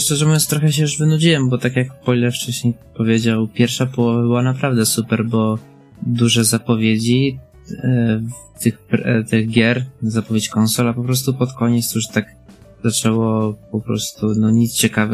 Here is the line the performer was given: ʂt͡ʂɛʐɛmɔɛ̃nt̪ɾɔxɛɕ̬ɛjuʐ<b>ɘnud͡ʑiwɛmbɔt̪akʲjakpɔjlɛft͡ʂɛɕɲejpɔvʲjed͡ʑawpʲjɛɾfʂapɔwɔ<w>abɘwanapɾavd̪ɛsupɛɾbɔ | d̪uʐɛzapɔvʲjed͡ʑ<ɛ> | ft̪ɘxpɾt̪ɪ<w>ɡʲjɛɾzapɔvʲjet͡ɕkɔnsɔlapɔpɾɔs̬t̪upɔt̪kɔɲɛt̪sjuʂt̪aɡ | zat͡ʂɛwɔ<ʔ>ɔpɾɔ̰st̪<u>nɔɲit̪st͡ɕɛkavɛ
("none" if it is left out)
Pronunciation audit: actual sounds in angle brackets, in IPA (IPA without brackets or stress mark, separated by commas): v, v, i, ɣ, p, u